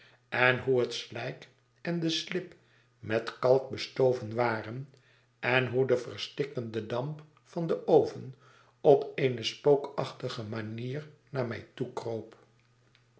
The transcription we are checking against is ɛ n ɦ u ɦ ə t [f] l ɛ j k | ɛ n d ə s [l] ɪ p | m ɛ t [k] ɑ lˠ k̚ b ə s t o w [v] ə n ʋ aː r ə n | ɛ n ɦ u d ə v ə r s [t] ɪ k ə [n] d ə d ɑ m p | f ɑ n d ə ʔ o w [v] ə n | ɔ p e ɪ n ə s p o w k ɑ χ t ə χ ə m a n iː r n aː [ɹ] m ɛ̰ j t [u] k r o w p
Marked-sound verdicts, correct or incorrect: incorrect: s, correct, correct, correct, correct, correct, correct, correct, correct

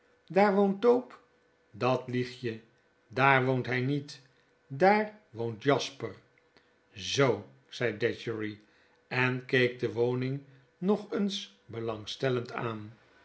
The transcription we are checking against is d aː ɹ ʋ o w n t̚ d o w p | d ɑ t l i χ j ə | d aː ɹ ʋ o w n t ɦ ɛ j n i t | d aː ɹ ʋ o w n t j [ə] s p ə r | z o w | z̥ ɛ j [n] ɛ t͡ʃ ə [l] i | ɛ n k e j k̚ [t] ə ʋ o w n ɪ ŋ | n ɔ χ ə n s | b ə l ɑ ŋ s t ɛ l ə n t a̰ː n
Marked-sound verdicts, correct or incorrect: incorrect: ɑ, incorrect: d, incorrect: ɹ, incorrect: d

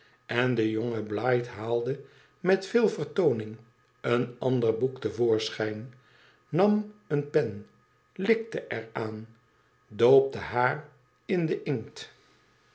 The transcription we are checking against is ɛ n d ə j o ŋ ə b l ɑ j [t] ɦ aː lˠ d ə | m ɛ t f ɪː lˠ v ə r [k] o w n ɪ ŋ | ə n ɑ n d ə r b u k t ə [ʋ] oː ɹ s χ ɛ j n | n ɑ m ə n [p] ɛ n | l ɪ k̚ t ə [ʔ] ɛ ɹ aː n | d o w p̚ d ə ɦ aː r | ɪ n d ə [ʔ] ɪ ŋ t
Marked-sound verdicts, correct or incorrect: correct, incorrect: t, incorrect: v, correct, correct, correct

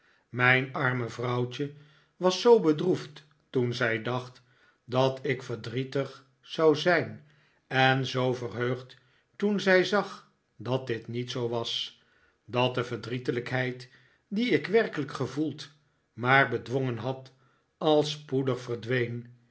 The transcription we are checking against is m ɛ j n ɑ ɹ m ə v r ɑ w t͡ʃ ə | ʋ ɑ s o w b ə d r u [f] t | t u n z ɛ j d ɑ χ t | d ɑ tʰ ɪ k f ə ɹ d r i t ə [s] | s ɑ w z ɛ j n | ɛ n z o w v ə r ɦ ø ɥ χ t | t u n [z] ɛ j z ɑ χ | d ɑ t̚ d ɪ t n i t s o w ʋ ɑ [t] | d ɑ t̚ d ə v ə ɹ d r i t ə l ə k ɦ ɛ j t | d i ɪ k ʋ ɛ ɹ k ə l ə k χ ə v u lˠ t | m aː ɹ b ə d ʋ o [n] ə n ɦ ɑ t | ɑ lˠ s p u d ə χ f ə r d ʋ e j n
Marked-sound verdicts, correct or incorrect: correct, incorrect: χ, correct, incorrect: s, incorrect: ŋ

